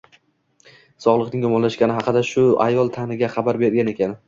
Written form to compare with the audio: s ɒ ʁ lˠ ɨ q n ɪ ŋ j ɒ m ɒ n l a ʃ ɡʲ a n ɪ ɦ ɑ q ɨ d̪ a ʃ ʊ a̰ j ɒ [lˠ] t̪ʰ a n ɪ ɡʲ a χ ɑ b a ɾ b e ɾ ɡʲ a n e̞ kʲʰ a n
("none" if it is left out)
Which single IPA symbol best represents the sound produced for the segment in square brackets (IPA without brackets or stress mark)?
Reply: lˠ